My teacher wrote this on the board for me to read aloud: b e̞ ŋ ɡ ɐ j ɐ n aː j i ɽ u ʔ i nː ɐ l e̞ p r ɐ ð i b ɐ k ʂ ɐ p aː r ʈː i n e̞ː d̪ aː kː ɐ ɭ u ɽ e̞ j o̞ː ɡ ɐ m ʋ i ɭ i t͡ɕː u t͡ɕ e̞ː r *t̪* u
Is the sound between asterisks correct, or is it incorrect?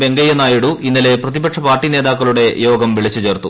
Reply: correct